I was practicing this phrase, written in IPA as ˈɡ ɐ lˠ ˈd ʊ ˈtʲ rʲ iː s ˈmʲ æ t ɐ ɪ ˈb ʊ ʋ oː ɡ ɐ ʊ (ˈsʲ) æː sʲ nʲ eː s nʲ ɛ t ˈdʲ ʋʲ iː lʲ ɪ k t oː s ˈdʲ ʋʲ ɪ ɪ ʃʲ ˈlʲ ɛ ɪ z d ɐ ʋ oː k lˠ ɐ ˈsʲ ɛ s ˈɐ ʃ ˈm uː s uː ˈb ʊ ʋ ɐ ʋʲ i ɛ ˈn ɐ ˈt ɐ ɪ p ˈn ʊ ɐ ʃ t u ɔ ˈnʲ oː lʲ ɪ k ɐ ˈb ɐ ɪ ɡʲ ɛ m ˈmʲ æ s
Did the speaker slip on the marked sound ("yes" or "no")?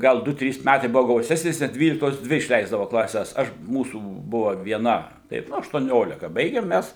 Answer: no